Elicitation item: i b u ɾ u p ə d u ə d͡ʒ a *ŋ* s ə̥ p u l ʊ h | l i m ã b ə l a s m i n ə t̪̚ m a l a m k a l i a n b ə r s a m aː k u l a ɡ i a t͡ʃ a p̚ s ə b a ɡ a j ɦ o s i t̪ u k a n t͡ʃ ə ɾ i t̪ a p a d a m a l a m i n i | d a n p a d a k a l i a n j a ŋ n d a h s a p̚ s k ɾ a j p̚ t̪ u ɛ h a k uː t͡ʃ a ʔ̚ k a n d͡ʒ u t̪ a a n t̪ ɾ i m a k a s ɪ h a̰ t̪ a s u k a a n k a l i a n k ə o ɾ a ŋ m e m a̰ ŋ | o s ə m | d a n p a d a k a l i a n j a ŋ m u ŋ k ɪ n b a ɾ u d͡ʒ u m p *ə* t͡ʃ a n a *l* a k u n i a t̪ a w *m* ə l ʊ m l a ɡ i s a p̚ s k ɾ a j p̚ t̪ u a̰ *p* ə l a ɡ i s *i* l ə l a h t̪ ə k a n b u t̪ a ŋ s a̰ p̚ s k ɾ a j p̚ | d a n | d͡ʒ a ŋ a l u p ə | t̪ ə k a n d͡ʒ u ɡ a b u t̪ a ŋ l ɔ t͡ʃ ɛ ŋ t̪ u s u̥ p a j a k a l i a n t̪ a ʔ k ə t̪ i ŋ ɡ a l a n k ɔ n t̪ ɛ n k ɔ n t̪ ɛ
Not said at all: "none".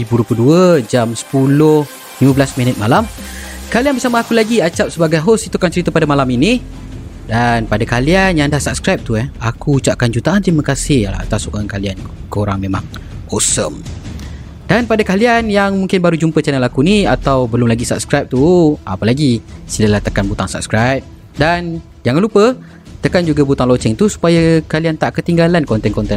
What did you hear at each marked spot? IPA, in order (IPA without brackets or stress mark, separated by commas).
m, ə, l, b, p, i